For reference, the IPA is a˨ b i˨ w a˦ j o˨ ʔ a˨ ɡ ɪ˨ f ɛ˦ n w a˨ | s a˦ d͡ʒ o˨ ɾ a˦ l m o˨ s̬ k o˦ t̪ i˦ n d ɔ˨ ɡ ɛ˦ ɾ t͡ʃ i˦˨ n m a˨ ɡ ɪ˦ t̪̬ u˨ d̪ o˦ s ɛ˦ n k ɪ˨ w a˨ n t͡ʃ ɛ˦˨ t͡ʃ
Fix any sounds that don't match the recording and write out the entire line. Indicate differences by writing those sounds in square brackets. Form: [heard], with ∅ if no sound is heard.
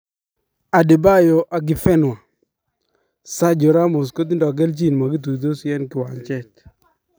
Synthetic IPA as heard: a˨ [d] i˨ [b] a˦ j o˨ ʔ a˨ ɡ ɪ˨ f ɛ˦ n w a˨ | s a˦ d͡ʒ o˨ ɾ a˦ [∅] m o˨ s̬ k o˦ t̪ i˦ n d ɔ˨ ɡ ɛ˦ [l] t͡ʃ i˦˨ n m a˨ ɡ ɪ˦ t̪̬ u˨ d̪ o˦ s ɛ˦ n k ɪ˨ w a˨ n t͡ʃ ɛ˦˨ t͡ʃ